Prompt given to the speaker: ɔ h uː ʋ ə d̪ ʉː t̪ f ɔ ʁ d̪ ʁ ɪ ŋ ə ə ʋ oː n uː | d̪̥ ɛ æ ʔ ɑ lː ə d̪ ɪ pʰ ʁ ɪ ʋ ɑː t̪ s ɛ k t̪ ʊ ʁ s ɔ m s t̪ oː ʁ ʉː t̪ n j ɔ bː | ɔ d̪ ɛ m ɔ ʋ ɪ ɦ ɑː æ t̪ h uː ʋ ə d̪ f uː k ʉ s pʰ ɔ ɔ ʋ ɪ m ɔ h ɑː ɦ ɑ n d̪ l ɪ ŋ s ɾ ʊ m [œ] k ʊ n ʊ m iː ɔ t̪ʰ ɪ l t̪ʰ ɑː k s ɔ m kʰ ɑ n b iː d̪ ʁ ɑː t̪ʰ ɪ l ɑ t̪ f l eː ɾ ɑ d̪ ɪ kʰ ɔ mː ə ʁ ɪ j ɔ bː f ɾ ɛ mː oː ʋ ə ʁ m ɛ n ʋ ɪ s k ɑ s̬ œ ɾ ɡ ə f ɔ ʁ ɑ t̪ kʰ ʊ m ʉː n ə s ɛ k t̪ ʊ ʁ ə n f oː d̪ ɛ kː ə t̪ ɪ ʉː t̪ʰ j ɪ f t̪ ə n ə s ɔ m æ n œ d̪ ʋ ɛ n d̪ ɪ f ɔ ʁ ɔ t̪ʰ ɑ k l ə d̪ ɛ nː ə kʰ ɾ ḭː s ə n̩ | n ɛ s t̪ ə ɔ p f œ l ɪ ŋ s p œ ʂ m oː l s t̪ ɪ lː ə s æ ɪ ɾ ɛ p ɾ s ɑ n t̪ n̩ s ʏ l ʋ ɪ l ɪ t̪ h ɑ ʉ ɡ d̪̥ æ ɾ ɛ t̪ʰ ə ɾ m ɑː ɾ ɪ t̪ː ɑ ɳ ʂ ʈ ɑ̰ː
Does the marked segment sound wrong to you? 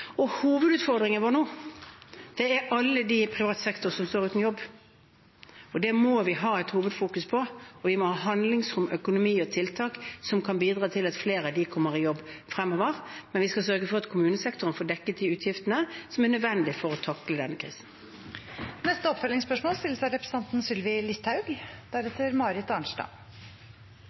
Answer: no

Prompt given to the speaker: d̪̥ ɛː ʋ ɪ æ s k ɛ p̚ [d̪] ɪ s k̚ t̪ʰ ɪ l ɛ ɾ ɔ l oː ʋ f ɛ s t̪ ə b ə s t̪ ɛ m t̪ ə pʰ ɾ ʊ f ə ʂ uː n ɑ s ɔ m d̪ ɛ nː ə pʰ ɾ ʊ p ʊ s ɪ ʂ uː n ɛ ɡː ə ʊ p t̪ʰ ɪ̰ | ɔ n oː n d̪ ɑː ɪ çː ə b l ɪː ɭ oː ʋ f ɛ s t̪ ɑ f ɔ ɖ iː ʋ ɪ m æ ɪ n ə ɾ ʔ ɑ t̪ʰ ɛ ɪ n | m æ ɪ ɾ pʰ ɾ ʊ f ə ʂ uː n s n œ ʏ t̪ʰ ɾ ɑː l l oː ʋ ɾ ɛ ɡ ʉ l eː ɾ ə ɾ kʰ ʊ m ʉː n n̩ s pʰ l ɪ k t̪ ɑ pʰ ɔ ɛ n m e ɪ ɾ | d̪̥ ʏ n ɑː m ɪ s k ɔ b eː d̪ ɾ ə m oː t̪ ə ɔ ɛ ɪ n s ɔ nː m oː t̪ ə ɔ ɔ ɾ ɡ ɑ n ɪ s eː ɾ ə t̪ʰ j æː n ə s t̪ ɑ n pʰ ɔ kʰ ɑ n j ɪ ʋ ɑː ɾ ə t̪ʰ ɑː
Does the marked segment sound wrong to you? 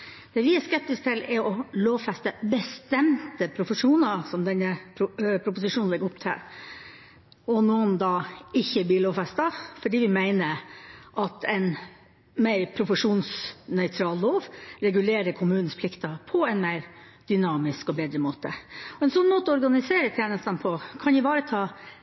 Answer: yes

